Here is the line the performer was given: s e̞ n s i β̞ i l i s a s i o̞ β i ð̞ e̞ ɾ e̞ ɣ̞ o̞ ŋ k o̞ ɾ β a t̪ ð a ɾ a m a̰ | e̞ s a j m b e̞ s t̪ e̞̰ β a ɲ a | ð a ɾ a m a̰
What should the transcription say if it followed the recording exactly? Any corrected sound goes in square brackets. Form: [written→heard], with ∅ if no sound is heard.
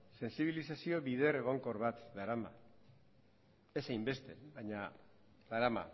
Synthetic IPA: s e̞ n s i β̞ i l i s a s i o̞ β i ð̞ e̞ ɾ e̞ ɣ̞ o̞ ŋ k o̞ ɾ β a t̪ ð a ɾ a m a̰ | e̞ s a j m b e̞ s t̪ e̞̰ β a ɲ a | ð a ɾ a m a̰